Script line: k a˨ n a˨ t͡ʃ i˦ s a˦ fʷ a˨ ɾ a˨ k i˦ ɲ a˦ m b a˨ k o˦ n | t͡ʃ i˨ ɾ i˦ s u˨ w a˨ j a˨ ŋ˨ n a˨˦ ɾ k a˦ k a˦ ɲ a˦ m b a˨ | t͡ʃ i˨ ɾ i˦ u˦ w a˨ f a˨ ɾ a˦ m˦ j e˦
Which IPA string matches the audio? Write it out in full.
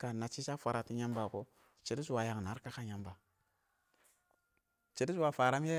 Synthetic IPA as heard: k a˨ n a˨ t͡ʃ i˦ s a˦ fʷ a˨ ɾ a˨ t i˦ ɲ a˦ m b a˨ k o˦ | t͡ʃ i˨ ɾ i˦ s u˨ w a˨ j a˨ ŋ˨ n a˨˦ ɾ k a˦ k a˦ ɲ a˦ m b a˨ | t͡ʃ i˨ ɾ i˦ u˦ w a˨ f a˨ ɾ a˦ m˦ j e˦